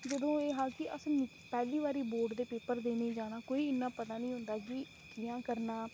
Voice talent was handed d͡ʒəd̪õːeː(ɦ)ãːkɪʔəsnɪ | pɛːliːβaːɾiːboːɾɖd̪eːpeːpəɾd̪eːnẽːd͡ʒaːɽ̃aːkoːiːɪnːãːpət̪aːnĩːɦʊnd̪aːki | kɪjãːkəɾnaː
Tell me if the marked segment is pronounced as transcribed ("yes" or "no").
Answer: yes